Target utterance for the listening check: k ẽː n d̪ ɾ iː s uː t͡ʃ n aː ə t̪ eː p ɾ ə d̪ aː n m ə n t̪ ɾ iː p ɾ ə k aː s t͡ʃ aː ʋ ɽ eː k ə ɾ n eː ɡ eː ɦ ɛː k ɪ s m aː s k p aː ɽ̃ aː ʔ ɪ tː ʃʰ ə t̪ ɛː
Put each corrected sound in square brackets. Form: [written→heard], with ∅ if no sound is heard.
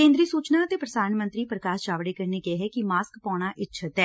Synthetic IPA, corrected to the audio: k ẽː n d̪ ɾ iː s uː t͡ʃ n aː ə t̪ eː p ɾ ə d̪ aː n m ə n t̪ ɾ iː p ɾ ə k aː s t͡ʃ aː ʋ ɽ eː k ə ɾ n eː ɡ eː ɦ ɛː k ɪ [s→∅] m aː s k p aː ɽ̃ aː ʔ ɪ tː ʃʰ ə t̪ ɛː